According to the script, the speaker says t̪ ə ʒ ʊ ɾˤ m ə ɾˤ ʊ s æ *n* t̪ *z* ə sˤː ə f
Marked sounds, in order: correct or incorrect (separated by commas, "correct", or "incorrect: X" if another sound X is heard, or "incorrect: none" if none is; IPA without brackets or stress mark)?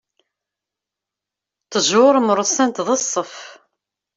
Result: correct, incorrect: ð